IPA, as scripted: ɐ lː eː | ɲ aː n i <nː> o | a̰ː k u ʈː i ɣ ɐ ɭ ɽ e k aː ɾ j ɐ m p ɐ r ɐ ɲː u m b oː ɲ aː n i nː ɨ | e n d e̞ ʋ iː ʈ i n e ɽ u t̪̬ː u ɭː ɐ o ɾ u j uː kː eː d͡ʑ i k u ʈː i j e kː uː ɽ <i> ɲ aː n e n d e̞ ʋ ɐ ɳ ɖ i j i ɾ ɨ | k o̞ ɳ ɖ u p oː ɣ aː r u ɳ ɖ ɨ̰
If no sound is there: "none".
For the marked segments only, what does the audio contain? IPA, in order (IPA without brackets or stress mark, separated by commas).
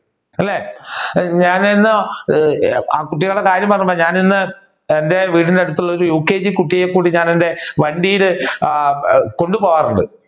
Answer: nː, i